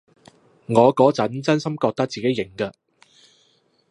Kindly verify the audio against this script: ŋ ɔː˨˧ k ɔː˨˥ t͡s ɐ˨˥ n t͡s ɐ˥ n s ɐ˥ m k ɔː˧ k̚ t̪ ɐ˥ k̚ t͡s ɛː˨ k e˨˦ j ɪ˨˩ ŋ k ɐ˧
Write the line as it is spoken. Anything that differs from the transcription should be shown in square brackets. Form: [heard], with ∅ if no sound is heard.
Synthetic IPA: ŋ ɔː˨˧ k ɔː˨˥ t͡s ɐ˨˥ n t͡s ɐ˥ n s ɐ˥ m k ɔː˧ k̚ t̪ ɐ˥ k̚ t͡s [iː˨] k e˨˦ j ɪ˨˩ ŋ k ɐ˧